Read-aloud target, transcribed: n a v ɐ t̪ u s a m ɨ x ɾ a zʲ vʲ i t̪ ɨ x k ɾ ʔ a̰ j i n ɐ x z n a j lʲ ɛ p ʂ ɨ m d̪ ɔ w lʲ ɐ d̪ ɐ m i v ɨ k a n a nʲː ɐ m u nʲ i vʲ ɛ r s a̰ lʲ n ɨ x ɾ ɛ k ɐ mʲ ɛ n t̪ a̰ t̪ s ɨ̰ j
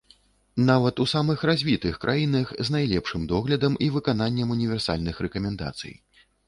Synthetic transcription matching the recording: n a v ɐ t̪ u s a m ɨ x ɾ a zʲ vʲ i t̪ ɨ x k ɾ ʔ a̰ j i n ɐ x z n a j lʲ ɛ p ʂ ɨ m d̪ ɔ ɣ lʲ ɐ d̪ ɐ m i v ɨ k a n a nʲː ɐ m u nʲ i vʲ ɛ r s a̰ lʲ n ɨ x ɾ ɛ k ɐ mʲ ɛ n d̪ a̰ t̪ s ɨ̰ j

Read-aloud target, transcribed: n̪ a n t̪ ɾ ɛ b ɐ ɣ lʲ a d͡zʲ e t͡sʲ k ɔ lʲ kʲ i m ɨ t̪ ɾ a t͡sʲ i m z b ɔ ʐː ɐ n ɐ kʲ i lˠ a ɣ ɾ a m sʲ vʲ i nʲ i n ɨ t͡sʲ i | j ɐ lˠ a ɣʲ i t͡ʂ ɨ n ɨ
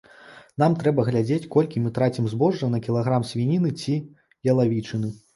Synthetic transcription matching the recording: n̪ a m t̪ ɾ ɛ b ɐ ɣ lʲ a d͡zʲ e t͡sʲ k ɔ lʲ kʲ i m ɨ t̪ ɾ a t͡sʲ i m z b ɔ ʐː ɐ n ɐ kʲ i lˠ a ɣ ɾ a m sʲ vʲ i nʲ i n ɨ t͡sʲ i | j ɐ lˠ a vʲ i t͡ʂ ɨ n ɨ

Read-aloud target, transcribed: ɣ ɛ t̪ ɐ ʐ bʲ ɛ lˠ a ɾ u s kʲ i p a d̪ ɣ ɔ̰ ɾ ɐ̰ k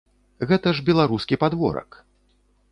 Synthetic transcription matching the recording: ɣ ɛ t̪ ɐ ʐ bʲ ɛ lˠ a ɾ u s kʲ i p a d̪ v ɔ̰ ɾ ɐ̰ k

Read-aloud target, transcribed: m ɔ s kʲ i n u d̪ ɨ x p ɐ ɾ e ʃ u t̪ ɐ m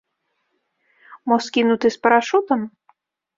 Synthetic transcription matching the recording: m ɔ s kʲ i n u t̪ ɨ s p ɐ ɾ a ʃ u t̪ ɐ m

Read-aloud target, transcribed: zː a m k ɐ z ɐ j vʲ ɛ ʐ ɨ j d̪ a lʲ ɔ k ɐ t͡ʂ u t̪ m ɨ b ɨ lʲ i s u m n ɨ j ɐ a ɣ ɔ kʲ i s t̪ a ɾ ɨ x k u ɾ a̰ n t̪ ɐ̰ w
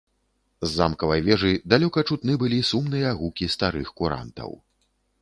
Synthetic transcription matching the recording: zː a m k ɐ v ɐ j vʲ ɛ ʐ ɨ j d̪ a lʲ ɔ k ɐ t͡ʂ u t̪ n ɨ b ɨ lʲ i s u m n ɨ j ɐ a ɣ u kʲ i s t̪ a ɾ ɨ x k u ɾ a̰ n t̪ ɐ̰ w

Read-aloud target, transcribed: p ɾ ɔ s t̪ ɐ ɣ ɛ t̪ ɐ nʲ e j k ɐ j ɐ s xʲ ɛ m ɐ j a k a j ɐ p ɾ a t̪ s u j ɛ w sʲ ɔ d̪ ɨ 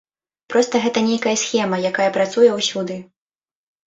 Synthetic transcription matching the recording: p ɾ ɔ s t̪ ɐ ɣ ɛ t̪ ɐ nʲ e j k ɐ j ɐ s xʲ ɛ m ɐ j a k a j ɐ p ɾ a t̪ s u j ɛ w sʲ u d̪ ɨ

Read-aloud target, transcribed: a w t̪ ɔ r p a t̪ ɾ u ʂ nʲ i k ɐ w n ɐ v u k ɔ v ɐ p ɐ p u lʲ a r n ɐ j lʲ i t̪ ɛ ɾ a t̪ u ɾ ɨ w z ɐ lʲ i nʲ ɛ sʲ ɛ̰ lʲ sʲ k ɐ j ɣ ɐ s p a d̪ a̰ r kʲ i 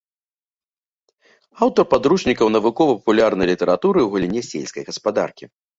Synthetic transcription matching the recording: a w t̪ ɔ r p a d̪ ɾ u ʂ nʲ i k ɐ w n ɐ v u k ɔ v ɐ p ɐ p u lʲ a r n ɐ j lʲ i t̪ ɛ ɾ a t̪ u ɾ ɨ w ɣ ɐ lʲ i nʲ ɛ sʲ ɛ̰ lʲ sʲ k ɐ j ɣ ɐ s p a d̪ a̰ r kʲ i

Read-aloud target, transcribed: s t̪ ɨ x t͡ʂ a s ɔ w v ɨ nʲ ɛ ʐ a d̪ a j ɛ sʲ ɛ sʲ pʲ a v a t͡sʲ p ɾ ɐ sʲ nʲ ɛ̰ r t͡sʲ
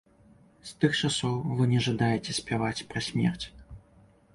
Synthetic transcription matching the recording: s t̪ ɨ x t͡ʂ a s ɔ w v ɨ nʲ ɛ ʐ a d̪ a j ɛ t͡sʲ ɛ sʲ pʲ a v a t͡sʲ p ɾ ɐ sʲ mʲ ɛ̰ r t͡sʲ

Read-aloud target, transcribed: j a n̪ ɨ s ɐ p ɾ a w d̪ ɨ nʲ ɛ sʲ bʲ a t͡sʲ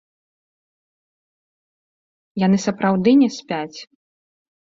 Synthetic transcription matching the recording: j a n̪ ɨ s ɐ p ɾ a w d̪ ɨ nʲ ɛ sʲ pʲ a t͡sʲ

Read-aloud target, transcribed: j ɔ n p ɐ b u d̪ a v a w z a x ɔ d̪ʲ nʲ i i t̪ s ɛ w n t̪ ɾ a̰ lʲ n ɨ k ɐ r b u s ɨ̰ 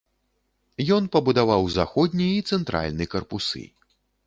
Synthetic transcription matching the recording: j ɔ n p ɐ b u d̪ a v a w z a x ɔ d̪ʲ nʲ i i t̪ s ɛ n t̪ ɾ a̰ lʲ n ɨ k ɐ r p u s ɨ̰

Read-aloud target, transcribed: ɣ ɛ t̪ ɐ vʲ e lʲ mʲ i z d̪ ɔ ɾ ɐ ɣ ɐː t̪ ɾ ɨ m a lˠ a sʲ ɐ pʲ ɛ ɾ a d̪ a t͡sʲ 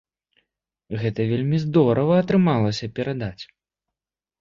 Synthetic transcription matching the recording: ɣ ɛ t̪ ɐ vʲ e lʲ mʲ i z d̪ ɔ ɾ ɐ v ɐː t̪ ɾ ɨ m a lˠ ɐ sʲ ɐ pʲ ɛ ɾ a d̪ a t͡sʲ

